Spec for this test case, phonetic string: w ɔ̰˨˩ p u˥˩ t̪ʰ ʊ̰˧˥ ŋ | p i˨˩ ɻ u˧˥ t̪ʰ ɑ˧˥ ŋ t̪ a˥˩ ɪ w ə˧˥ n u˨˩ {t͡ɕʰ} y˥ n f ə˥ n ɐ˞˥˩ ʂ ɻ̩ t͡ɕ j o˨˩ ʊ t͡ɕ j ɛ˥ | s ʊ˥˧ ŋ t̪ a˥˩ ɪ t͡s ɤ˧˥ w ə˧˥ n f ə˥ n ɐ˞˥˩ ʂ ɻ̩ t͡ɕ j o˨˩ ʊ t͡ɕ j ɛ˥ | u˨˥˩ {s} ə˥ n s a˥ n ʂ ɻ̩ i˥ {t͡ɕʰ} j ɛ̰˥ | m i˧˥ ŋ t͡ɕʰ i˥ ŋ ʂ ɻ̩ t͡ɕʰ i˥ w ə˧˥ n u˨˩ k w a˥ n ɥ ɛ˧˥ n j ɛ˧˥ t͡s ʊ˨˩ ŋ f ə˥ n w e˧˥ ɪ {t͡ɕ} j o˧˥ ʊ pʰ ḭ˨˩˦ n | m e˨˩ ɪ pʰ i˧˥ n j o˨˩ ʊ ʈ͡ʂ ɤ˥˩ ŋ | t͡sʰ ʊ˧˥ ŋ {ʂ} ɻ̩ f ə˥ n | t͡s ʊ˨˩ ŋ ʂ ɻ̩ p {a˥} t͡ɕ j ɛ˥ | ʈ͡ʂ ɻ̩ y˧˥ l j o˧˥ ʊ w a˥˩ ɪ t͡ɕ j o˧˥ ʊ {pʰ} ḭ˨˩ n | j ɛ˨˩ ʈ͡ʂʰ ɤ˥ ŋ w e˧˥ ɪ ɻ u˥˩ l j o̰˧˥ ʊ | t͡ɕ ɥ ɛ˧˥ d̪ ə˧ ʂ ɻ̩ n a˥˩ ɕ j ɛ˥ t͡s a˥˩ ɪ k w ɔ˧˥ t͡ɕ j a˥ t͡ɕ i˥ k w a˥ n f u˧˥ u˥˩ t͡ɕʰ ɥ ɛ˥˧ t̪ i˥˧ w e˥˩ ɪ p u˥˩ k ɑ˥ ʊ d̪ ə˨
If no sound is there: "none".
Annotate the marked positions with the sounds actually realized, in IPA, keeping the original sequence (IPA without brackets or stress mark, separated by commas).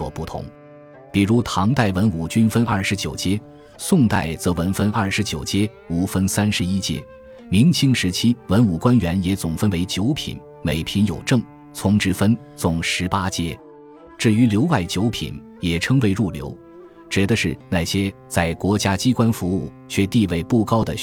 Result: t͡ɕ, f, t͡ɕ, t͡ɕ, ʈ͡ʂ, a˥, pʰ